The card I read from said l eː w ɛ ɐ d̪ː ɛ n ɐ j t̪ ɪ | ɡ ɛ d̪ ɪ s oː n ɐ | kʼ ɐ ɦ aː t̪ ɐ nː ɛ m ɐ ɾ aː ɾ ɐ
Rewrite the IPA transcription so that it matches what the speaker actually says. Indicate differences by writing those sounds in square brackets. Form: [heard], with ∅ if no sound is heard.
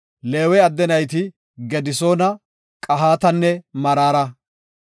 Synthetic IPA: l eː w ɛ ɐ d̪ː ɛ n ɐ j t̪ ɪ | ɡ ɛ d̪ ɪ s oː n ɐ | kʼ ɐ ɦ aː t̪ ɐ nː ɛ m ɐ ɾ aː ɾ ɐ